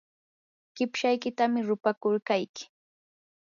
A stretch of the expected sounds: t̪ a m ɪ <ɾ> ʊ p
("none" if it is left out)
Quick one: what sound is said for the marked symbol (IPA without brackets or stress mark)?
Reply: ɾ